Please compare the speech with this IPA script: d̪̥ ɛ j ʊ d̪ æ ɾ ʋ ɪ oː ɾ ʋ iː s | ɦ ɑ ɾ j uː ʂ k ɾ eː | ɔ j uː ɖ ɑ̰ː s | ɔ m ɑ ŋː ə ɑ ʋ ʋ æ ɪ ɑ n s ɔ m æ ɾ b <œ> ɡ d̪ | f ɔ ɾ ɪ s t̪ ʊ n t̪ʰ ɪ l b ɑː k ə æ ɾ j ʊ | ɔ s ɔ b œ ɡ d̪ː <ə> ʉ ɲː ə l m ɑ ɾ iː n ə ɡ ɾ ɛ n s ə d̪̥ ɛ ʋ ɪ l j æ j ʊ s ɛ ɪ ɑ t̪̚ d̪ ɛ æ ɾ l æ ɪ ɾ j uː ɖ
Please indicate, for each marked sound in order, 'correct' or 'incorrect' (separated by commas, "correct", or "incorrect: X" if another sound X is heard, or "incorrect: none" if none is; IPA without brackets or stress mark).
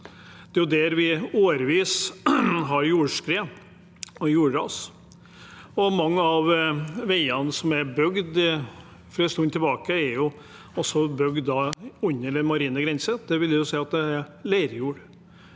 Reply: correct, incorrect: ɑ